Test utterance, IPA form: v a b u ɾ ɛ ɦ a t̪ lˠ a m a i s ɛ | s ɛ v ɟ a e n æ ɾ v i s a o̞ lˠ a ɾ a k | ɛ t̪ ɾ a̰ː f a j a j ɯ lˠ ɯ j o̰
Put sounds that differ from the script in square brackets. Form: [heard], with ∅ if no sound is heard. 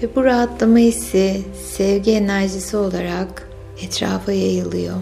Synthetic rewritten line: v [ɛ] b u ɾ [a] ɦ a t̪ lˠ a m a i s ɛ | s ɛ v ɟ [i] e n æ ɾ [ʒ] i s [i] o̞ lˠ a ɾ a k | ɛ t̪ ɾ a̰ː f a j a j ɯ lˠ ɯ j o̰